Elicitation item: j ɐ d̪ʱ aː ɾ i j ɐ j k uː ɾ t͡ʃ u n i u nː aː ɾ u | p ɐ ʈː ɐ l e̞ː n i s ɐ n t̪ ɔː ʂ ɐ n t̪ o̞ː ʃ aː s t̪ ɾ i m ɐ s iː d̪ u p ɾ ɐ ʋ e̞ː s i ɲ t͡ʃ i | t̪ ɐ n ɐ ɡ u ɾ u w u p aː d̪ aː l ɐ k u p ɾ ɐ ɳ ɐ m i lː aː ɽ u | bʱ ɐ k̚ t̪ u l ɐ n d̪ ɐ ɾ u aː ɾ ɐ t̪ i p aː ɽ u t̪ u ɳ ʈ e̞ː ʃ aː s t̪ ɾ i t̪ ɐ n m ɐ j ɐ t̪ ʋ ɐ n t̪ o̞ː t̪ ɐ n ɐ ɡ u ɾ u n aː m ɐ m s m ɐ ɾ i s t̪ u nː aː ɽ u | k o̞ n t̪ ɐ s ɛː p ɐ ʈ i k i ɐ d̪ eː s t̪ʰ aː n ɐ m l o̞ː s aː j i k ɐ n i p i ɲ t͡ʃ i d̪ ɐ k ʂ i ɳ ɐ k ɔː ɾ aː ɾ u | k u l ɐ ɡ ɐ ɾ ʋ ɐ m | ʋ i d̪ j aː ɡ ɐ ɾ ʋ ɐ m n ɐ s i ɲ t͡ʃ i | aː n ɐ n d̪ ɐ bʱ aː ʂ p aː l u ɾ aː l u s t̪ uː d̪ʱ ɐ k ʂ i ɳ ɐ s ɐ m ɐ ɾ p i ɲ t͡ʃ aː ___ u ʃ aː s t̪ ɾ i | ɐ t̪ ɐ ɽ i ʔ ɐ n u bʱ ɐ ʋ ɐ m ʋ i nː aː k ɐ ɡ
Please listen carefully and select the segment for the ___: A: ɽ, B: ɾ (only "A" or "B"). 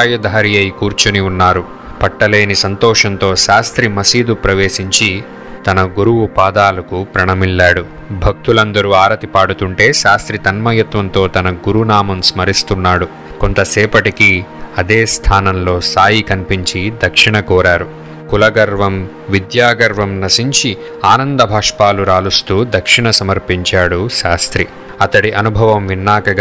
A